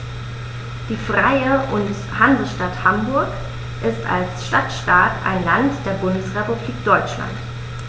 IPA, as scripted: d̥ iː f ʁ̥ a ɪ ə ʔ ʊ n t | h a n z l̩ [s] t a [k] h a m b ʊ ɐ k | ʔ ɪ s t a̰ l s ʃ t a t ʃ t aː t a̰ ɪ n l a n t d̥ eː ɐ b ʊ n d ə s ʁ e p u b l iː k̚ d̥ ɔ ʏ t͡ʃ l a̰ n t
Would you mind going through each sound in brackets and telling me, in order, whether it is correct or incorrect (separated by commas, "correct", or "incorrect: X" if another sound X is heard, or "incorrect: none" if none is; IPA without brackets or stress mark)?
incorrect: ʃ, incorrect: t